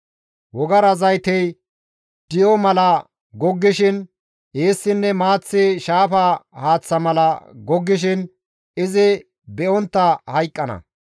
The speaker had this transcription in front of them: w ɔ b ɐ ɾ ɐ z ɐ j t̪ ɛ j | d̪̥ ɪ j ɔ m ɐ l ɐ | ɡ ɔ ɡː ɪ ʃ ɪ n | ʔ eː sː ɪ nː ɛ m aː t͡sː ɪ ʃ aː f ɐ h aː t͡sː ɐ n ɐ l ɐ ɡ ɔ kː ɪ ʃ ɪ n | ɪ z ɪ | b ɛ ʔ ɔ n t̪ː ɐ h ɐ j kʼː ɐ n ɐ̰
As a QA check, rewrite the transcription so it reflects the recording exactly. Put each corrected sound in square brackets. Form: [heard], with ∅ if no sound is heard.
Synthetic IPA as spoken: w ɔ [ɡ] ɐ ɾ ɐ z ɐ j t̪ ɛ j | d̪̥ ɪ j ɔ m ɐ l ɐ | ɡ ɔ ɡː ɪ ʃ ɪ n | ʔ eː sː ɪ nː ɛ m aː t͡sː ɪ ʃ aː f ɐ h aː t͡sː ɐ [m] ɐ l ɐ ɡ ɔ [ɡː] ɪ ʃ ɪ n | ɪ z ɪ | b ɛ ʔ ɔ n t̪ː ɐ h ɐ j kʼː ɐ n ɐ̰